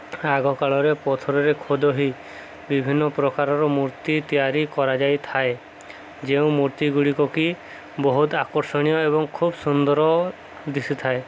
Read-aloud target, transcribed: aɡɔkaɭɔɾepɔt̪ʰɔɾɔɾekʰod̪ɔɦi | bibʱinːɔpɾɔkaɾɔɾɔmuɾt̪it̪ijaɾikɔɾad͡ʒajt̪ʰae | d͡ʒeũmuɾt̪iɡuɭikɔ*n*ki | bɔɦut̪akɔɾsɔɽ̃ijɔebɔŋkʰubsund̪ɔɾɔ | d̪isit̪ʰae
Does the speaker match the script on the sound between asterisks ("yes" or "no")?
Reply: no